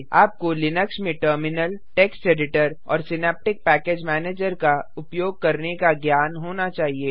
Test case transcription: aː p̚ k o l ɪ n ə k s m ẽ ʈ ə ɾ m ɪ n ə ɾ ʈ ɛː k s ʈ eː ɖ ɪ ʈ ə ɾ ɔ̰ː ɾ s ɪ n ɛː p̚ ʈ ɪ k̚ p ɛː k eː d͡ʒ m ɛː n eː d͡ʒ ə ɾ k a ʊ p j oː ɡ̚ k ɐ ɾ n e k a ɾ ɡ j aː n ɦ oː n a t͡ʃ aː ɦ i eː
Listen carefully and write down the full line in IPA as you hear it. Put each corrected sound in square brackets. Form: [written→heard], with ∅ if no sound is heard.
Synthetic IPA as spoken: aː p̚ k o l ɪ n ə k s m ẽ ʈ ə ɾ m ɪ n ə [ɾ→l] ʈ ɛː k s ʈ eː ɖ ɪ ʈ ə ɾ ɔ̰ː ɾ s ɪ n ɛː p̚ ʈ ɪ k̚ p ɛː k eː d͡ʒ m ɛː n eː d͡ʒ ə ɾ k a ʊ p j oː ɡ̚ k ɐ ɾ n e k a [ɾ→∅] ɡ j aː n ɦ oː n a t͡ʃ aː ɦ i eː